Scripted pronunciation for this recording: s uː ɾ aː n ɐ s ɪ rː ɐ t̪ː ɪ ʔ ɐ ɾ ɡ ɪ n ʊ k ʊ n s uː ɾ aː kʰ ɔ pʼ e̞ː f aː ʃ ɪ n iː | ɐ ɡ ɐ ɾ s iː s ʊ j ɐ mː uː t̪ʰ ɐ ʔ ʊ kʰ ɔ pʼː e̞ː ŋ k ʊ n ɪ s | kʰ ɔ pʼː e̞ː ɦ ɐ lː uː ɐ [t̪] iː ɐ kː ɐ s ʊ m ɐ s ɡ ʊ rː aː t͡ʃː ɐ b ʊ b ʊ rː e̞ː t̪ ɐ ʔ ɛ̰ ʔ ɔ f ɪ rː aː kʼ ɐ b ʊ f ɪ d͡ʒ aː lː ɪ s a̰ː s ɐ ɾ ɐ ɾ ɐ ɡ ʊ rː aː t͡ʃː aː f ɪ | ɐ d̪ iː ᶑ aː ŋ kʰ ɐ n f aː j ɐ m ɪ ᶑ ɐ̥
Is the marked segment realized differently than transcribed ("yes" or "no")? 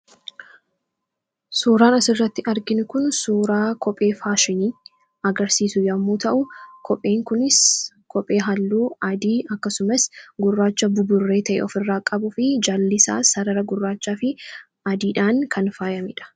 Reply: yes